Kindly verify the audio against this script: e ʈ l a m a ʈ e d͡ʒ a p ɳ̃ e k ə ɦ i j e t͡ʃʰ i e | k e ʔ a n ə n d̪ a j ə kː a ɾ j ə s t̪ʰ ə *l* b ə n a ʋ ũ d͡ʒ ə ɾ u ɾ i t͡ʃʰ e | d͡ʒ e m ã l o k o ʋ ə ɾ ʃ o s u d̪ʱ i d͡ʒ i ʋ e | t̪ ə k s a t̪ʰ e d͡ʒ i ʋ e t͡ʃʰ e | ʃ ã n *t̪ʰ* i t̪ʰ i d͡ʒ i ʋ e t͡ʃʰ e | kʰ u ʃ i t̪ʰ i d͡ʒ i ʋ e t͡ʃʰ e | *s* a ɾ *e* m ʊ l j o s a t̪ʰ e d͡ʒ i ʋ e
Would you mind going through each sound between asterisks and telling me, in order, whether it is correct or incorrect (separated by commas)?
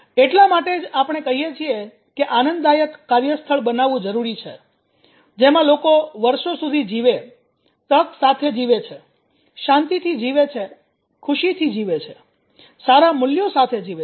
incorrect, incorrect, correct, incorrect